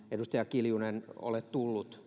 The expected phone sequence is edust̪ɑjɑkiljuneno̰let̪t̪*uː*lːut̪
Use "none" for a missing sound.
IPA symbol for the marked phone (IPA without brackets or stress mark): u